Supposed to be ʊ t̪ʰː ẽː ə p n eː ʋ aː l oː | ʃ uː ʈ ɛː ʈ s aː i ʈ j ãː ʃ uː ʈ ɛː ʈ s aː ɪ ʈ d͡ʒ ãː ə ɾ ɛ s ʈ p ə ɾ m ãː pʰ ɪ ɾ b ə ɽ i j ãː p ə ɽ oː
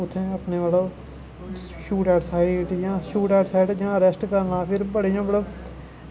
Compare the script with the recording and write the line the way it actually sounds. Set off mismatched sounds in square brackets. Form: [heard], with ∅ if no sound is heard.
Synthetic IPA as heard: ʊ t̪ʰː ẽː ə p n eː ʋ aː l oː | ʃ uː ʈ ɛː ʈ s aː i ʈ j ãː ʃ uː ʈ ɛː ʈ s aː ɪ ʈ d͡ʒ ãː ə ɾ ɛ s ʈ [k] ə ɾ [n] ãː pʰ ɪ ɾ b ə ɽ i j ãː [b] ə ɽ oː